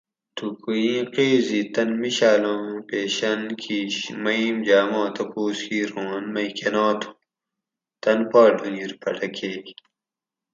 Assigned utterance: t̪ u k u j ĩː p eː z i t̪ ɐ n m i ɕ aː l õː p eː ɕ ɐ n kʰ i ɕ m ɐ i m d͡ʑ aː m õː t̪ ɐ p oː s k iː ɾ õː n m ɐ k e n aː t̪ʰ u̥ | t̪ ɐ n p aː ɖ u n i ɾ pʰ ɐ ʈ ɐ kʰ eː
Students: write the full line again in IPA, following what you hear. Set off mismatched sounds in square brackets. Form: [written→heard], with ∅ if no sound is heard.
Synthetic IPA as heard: t̪ u k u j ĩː [p→q] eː z i t̪ ɐ n m i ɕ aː l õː p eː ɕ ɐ n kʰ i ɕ m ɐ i m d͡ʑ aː m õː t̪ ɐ p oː s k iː ɾ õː n m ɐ k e n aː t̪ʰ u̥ | t̪ ɐ n p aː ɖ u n i ɾ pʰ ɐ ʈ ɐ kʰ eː